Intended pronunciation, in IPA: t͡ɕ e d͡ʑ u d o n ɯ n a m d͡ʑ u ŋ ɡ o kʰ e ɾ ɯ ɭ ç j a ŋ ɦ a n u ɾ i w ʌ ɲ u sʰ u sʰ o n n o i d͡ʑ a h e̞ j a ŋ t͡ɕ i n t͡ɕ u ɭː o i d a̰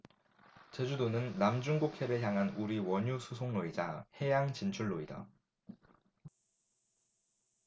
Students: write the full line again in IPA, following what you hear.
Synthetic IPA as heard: t͡ɕ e d͡ʑ u d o n ɯ nː a m d͡ʑ u ŋ ɡ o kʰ e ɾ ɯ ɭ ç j a ŋ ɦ a n u ɾ i w ʌ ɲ u sʰ u sʰ o ŋ n o i d͡ʑ a h e̞ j a ŋ t͡ɕ i n t͡ɕʰ u ɭː o i d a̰